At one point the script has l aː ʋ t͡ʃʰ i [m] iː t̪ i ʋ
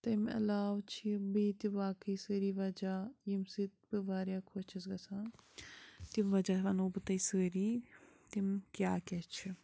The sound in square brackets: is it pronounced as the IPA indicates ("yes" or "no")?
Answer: no